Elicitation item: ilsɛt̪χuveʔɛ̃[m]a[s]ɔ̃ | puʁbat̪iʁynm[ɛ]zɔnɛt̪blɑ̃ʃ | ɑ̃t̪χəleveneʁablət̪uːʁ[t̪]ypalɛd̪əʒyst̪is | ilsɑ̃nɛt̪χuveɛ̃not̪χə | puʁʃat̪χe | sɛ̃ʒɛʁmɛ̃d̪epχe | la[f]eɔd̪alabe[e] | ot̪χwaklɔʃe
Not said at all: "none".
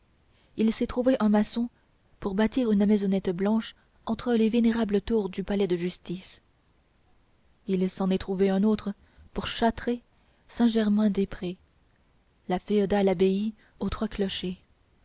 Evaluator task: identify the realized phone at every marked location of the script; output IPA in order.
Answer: m, s, ɛ, d̪, f, i

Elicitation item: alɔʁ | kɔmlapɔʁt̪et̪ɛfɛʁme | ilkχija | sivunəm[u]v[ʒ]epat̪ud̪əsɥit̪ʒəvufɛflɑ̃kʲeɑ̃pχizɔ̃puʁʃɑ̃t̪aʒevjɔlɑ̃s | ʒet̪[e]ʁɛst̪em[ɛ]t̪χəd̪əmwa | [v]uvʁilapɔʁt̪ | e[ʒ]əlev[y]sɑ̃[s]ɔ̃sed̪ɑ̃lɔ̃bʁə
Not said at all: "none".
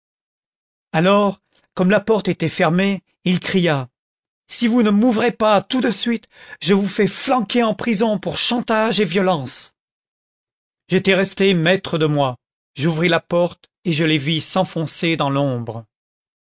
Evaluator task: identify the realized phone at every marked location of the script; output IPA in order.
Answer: u, ʁ, ɛ, ɛ, ʒ, ʒ, i, f

